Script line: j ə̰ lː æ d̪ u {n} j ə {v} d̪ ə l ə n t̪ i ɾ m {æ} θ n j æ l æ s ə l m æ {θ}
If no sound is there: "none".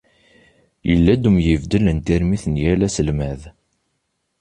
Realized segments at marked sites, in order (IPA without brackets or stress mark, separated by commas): m, v, i, ð